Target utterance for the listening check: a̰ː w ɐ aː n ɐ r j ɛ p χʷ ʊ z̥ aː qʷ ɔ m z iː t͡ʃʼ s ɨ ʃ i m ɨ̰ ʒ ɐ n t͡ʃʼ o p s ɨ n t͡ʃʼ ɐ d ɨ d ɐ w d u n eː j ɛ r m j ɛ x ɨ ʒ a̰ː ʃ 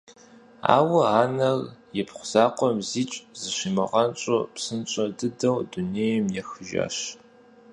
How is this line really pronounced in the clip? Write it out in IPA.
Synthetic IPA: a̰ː w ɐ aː n ɐ r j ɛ p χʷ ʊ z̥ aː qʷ ɔ m z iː t͡ʃʼ z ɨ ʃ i m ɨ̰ ʁ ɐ n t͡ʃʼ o p s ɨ n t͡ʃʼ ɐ d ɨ d ɐ w d u n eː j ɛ m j ɛ x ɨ ʒ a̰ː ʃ